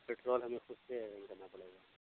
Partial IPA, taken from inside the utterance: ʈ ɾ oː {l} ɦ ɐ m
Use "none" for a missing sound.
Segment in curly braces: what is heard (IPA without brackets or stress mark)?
l